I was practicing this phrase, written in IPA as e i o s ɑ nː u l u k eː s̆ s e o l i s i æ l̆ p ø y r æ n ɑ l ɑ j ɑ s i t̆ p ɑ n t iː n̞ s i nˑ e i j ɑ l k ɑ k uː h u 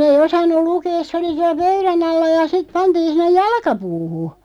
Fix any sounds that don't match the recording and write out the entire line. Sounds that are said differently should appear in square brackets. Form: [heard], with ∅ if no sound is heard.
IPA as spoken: e i o s ɑ nː u l u k eː s̆ s e o l i s i æ l̆ p ø y r æ n ɑ [lː] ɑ j ɑ s i t̆ p ɑ n t iː n̞ s i nˑ e [j] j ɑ l k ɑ [p] uː h u